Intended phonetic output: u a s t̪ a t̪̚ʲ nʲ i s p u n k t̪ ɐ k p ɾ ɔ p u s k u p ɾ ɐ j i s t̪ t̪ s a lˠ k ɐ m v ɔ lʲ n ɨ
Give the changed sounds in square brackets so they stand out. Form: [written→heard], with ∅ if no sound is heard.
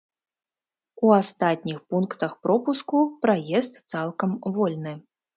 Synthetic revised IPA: u a s t̪ a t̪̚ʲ nʲ i [s→x] p u n k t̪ ɐ [k→x] p ɾ ɔ p u s k u p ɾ [ɐ→a] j [i→ɛ] s t̪ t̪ s a lˠ k ɐ m v ɔ lʲ n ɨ